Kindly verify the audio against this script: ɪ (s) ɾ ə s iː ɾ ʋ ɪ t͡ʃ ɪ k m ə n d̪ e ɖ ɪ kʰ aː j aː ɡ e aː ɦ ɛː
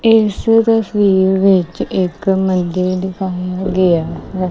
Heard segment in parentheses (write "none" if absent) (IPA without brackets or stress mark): s